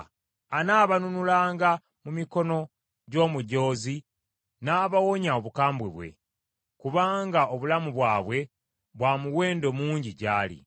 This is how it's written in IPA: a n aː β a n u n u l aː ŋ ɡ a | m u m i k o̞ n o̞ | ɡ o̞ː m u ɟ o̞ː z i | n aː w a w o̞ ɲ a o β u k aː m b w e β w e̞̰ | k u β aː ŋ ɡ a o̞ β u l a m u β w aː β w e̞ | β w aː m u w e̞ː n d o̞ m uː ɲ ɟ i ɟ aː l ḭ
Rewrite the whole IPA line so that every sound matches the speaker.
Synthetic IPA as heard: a n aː β a n u n u l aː ŋ ɡ a | m u m i k o̞ n o̞ | ɟ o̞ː m u ɟ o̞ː z i | n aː β a w o̞ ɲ a o β u k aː m b w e β w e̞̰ | k u β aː ŋ ɡ a o̞ β u l a m u β w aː β w e̞ | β w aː m u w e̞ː n d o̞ m uː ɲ ɟ i ɟ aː l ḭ